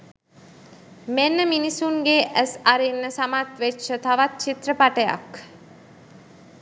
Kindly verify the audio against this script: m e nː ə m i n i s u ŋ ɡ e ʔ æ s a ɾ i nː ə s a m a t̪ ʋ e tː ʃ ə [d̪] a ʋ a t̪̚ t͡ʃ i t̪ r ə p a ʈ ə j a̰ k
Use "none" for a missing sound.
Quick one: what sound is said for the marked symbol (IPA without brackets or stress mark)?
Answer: t̪